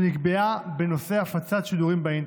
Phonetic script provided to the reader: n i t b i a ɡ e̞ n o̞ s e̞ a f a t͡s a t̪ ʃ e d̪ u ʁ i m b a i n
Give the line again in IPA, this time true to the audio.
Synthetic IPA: n i k b e a b e̞ n o̞ s e̞ a f a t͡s a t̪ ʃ i d̪ u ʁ i m b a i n

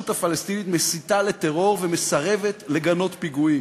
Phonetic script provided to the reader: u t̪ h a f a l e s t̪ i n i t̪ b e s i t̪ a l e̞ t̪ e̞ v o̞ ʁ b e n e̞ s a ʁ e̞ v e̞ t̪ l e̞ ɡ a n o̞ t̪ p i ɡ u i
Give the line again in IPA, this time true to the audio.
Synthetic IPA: u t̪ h a f a l e s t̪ i n i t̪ m e s i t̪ a l e̞ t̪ e̞ ʁ o̞ ʁ v e m e̞ s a ʁ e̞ v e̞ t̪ l e̞ ɡ a n o̞ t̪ p i ɡ u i

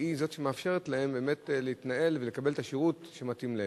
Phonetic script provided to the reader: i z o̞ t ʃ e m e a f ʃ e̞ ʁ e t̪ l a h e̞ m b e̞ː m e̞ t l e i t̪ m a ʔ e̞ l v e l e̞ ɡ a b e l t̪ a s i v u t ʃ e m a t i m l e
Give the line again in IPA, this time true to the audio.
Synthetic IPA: i z o̞ t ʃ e m e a f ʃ e̞ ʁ e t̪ l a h e̞ m b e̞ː m e̞ t l e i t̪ n a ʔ e̞ l v e l e̞ k a b e l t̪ a ʃ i ʁ u t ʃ e m a t i m l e

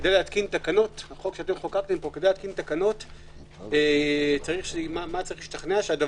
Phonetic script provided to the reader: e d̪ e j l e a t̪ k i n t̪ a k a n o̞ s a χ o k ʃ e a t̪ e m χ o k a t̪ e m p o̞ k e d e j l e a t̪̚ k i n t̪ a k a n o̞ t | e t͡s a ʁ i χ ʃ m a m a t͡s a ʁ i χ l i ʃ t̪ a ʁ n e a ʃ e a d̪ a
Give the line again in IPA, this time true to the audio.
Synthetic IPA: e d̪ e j l e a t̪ k i n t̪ a k a n o̞ t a χ o k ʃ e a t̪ e m χ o k a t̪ e m p o̞ k e d e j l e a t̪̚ k i n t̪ a k a n o̞ t | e t͡s a ʁ i χ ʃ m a m a t͡s a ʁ i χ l i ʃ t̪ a χ n e a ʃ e a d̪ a

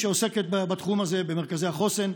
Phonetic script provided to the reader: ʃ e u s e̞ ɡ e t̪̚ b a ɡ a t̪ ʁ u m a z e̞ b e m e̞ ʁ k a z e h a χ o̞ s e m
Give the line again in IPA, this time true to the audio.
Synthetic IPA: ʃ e o s e̞ k e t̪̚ b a b a t̪ χ u m a z e̞ b e m e̞ ʁ k a z e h a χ o̞ s e n

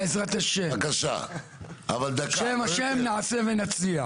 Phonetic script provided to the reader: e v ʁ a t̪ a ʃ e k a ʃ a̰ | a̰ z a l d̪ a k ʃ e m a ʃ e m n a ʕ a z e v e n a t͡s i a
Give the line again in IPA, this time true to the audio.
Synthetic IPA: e z ʁ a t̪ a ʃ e k a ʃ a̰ | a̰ v a l d̪ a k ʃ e m a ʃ e m n a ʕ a s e v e n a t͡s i a

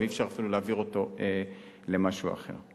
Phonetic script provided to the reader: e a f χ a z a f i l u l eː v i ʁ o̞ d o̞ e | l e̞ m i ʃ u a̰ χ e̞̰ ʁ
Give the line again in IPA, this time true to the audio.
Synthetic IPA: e i f ʃ a ʁ a f i l u l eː v i ʁ o̞ t o̞ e | l e̞ m a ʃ u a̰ χ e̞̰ ʁ

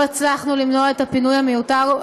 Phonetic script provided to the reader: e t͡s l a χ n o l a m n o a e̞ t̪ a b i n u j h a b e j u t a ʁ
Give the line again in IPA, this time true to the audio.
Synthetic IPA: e t͡s l a χ n u l i m n o a e̞ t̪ a p i n u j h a m e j u t a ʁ

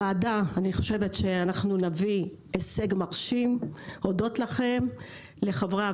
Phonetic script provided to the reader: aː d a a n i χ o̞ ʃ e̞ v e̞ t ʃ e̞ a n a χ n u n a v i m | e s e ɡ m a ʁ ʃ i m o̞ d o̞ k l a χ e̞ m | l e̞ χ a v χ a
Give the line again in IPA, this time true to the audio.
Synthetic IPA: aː d a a n i χ o̞ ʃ e̞ v e̞ t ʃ e̞ a n a χ n u n a v i | e s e ɡ m a ʁ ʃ i m o̞ d o̞ t l a χ e̞ m | l e̞ χ a v ʁ a

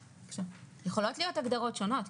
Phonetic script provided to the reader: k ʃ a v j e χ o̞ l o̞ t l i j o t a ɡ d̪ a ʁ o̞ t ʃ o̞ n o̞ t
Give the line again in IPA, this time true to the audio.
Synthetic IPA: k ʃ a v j e χ o̞ l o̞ t l i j o t a ɡ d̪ a ʁ o̞ t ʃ o̞ n o̞ t

